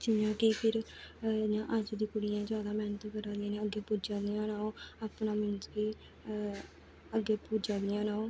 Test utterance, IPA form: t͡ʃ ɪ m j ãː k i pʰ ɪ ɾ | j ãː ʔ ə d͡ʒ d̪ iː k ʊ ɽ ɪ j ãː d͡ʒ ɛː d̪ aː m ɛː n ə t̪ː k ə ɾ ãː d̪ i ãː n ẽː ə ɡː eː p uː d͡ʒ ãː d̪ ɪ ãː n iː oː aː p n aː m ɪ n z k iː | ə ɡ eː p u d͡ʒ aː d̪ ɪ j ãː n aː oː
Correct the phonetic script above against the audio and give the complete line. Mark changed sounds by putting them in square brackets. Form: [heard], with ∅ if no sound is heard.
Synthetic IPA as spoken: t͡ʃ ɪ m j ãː k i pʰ ɪ ɾ | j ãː ʔ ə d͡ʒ d̪ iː k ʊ ɽ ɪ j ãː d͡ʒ [aː] d̪ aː m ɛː n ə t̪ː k ə ɾ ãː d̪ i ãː n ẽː ə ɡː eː p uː d͡ʒ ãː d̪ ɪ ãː n [aː] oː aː p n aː m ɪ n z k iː | ə ɡ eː p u d͡ʒ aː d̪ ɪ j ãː n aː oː